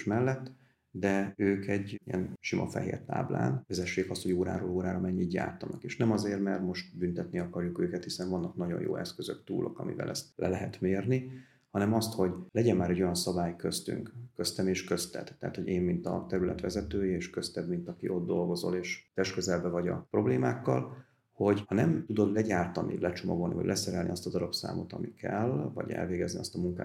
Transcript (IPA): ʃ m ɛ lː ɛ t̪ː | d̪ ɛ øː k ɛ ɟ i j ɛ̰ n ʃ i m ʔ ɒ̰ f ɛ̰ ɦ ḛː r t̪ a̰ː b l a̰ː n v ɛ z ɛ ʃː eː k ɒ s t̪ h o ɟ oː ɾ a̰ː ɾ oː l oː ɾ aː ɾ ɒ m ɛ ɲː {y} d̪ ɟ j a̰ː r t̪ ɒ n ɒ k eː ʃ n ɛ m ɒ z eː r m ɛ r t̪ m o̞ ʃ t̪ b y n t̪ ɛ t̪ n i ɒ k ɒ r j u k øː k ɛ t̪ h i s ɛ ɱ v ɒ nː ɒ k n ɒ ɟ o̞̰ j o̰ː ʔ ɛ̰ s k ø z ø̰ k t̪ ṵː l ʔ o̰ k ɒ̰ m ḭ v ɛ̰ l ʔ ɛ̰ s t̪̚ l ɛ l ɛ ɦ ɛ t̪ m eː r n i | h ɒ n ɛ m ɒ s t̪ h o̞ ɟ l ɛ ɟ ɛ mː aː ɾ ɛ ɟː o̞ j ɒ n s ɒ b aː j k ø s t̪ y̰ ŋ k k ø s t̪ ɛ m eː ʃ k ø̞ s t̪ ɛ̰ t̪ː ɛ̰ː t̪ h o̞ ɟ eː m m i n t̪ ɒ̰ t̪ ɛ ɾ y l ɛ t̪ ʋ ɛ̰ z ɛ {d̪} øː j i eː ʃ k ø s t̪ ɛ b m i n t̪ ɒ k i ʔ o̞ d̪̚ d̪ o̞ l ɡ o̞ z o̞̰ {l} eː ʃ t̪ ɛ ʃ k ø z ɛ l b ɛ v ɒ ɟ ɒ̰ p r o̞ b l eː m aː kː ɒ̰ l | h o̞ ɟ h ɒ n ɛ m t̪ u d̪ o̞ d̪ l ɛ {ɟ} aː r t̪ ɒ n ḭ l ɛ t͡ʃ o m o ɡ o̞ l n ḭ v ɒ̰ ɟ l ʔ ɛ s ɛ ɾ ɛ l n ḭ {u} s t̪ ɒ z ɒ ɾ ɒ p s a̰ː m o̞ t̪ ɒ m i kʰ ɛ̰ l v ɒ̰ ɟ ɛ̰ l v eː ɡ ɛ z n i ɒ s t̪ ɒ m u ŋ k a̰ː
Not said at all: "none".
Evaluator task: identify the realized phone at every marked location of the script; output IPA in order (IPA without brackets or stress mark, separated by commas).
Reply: i, t̪, l, ɟ, ɒ